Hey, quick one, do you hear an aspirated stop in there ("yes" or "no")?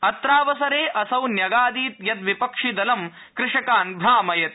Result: no